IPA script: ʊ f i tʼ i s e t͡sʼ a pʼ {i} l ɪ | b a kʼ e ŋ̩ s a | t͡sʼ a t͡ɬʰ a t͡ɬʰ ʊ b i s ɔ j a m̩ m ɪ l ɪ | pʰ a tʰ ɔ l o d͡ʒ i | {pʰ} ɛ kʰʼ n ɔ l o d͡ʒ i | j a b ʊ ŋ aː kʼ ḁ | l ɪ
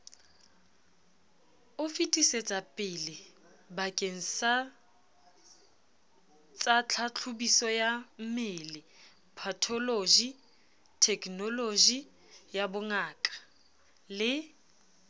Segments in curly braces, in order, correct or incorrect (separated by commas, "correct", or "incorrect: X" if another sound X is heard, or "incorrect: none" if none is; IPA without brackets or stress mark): incorrect: ɪ, incorrect: tʰ